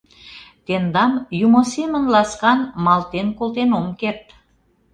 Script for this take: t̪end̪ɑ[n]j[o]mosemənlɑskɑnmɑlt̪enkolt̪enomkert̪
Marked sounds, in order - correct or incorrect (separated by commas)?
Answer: incorrect, incorrect